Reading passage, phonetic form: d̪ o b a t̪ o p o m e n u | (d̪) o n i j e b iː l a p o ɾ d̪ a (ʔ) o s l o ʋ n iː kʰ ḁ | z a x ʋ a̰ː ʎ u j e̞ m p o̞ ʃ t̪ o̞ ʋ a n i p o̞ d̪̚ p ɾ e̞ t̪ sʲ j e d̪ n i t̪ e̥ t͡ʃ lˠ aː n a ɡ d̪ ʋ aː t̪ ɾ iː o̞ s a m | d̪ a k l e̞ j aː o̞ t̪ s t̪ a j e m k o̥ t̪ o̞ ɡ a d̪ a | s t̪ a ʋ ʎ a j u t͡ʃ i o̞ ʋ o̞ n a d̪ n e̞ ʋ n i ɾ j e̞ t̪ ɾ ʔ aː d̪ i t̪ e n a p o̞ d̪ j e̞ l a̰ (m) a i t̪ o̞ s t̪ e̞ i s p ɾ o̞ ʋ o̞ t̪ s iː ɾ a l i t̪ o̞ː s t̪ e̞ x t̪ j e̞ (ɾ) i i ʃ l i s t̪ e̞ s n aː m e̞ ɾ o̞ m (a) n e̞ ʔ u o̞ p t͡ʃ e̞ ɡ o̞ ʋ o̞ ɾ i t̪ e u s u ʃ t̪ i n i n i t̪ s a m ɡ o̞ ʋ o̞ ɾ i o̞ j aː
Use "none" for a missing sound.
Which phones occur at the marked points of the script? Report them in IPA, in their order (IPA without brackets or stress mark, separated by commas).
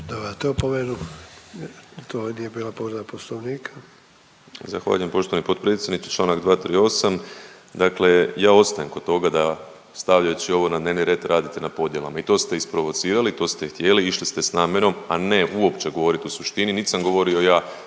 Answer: t̪, p, m, l, a